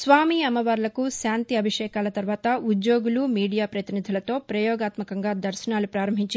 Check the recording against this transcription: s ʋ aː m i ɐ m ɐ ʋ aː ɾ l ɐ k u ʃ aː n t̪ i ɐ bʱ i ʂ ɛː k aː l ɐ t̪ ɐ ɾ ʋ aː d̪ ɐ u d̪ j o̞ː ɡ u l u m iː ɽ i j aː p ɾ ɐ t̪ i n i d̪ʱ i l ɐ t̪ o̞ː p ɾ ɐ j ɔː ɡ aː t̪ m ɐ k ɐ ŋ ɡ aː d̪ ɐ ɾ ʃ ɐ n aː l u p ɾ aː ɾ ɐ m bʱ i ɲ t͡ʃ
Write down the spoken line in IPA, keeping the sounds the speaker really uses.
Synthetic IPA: s ʋ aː m i ɐ m ɐ ʋ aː ɾ l ɐ k u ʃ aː n t̪ i ɐ bʱ i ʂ ɛː k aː l ɐ t̪ ɐ ɾ ʋ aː t̪ ɐ u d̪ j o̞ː ɡ u l u m iː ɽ i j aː p ɾ ɐ t̪ i n i d̪ʱ i l ɐ t̪ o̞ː p ɾ ɐ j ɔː ɡ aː t̪ m ɐ k ɐ ŋ ɡ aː d̪ ɐ ɾ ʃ ɐ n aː l u p ɾ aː ɾ ɐ m bʱ i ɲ t͡ʃ

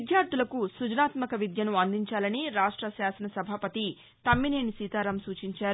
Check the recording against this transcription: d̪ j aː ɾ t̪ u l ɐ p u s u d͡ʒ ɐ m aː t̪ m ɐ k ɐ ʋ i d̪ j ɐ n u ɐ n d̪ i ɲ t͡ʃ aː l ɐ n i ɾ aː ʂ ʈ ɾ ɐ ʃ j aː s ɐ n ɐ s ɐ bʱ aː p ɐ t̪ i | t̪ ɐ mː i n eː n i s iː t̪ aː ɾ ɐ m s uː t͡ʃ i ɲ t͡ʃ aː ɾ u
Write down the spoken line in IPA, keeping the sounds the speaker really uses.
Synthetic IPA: d̪ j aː ɾ t̪ u l ɐ k u s u d͡ʒ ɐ n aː t̪ m ɐ k ɐ ʋ i d̪ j ɐ n u ɐ n d̪ i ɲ t͡ʃ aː l ɐ n i ɾ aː ʂ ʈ ɾ ɐ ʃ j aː s ɐ n ɐ s ɐ bʱ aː p ɐ t̪ i | t̪ ɐ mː i n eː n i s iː t̪ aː ɾ ɐ m s uː t͡ʃ i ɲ t͡ʃ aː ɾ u

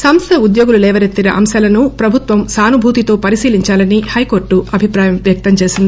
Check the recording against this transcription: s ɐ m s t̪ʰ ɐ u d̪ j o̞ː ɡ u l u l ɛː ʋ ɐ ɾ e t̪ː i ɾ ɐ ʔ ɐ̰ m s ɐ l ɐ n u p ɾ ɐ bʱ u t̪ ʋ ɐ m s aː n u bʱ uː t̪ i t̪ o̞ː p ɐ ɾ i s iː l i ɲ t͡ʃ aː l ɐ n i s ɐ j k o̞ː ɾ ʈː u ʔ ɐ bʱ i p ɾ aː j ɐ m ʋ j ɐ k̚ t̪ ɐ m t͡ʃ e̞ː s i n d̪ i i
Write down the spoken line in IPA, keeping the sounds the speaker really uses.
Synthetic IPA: s ɐ m s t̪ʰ ɐ u d̪ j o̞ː ɡ u l u l ɛː ʋ ɐ ɾ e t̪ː i ɾ ɐ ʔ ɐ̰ m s ɐ l ɐ n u p ɾ ɐ bʱ u t̪ ʋ ɐ m s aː n u bʱ uː t̪ i t̪ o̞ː p ɐ ɾ i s iː l i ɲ t͡ʃ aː l ɐ n i h ɐ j k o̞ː ɾ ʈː u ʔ ɐ bʱ i p ɾ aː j ɐ m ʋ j ɐ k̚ t̪ ɐ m t͡ʃ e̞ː s i n d̪ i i

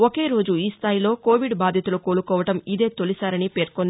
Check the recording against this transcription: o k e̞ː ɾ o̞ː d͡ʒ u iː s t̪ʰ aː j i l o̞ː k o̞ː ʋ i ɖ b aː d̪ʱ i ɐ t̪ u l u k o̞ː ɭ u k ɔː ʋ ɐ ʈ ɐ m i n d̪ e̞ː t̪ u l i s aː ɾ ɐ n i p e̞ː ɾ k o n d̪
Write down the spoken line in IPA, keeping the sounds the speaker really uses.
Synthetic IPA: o k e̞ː ɾ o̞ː d͡ʒ u iː s t̪ʰ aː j i l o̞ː k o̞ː ʋ i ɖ b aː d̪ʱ j ɐ t̪ u l u k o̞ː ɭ u k ɔː ʋ ɐ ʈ ɐ m i d̪ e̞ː t̪ o l i s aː ɾ ɐ n i p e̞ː ɾ k o n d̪

